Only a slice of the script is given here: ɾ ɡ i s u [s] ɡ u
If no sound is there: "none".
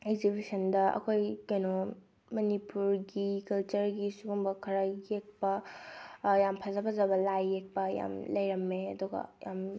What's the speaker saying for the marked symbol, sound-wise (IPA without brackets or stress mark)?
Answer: none